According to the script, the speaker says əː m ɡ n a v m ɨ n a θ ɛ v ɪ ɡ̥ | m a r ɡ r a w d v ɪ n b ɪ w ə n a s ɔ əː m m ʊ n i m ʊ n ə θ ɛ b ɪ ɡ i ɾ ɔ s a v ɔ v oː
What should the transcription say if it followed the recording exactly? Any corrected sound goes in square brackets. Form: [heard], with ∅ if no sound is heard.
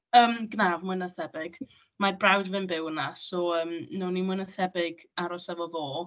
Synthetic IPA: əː m ɡ n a v m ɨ n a θ ɛ [b] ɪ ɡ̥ | m a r [b] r a w d v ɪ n b ɪ w ə n a s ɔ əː m [n] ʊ n i m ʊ n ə θ ɛ b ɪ ɡ [a] ɾ ɔ s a v ɔ v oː